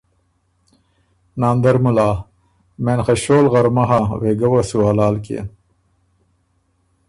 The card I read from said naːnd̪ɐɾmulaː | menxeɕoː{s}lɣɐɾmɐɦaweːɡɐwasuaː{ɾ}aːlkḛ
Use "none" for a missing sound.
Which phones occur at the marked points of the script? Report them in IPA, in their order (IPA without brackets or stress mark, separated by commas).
none, l